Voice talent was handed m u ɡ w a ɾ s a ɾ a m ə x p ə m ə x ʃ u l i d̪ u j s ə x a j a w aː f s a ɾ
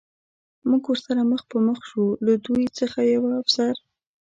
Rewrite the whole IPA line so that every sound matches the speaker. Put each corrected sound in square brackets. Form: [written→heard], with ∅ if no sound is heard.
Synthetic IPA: m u ɡ w [a→ə] ɾ s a ɾ a m ə x p ə m ə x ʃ u l [i→a] d̪ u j [s→t͡s] ə x a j a w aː f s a ɾ